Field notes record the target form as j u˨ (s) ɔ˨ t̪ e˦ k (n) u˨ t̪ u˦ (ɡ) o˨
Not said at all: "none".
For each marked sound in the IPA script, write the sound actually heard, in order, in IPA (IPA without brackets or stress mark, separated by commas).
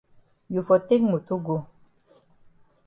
f, m, ɡ